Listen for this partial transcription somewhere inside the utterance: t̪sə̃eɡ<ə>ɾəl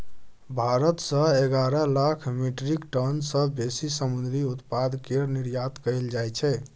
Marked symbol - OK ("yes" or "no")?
no